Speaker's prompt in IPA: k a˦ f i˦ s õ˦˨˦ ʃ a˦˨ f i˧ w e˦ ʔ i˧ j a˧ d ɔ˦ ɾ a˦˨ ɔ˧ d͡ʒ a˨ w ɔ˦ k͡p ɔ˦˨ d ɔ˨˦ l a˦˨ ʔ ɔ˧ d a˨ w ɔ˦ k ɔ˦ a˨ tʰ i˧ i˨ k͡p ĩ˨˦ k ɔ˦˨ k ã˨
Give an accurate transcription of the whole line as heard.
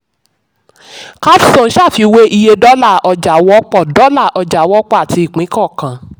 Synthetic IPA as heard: k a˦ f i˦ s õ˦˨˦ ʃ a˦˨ f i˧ w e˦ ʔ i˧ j e˧ d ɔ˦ l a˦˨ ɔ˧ d͡ʒ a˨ w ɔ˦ k͡p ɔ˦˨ d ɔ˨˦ l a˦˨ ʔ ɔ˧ d͡ʒ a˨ w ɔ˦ k͡p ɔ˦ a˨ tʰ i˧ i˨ k͡p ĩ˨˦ k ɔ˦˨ k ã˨